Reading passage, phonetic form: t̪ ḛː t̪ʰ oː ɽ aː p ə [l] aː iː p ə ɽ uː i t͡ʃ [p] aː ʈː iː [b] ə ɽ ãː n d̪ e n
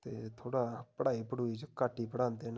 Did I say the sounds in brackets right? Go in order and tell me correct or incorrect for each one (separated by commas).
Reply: incorrect, incorrect, incorrect